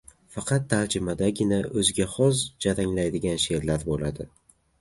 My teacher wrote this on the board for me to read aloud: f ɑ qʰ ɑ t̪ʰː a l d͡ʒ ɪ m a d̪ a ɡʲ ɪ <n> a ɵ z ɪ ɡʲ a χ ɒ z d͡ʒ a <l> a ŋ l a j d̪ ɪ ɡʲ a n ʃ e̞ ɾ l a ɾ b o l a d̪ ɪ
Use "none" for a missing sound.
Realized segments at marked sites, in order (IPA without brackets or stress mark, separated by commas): n, ɾ